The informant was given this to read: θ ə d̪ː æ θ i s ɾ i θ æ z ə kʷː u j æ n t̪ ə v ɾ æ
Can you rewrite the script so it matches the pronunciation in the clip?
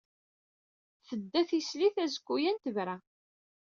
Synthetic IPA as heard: θ ə d̪ː æ θ i s l i θ æ z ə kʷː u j æ n t̪ ə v ɾ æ

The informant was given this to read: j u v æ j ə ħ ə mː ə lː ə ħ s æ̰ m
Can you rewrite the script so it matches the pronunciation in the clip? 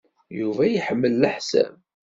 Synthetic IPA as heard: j u v æ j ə ħ ə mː ə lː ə ħ s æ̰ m

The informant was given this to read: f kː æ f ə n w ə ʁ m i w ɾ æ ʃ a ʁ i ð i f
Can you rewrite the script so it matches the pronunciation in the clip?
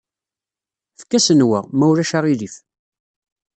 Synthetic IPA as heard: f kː æ s ə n w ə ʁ m æ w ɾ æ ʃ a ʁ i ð i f

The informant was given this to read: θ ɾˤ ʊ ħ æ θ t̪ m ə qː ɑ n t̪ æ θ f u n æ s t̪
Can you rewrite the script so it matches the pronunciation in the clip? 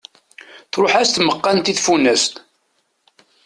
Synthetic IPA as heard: θ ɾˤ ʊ ħ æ s t̪ m ə qː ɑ n t̪ i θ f u n æ s t̪

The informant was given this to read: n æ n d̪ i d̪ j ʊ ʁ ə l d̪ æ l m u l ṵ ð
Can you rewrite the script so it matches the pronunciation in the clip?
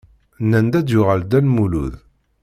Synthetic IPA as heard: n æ n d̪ æ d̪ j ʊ ʁ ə l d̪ æ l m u l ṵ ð

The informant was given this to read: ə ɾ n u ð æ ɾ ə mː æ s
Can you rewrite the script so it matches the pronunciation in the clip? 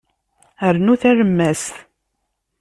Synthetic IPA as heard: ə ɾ n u θ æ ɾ ə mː æ s

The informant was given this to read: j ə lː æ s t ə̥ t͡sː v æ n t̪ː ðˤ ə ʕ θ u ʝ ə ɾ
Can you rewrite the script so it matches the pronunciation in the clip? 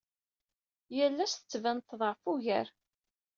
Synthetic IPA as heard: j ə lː æ s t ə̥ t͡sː v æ n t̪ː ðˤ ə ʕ f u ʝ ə ɾ

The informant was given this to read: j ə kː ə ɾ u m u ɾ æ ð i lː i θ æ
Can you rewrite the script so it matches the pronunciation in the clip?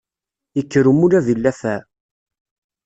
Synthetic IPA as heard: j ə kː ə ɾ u m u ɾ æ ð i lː æ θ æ

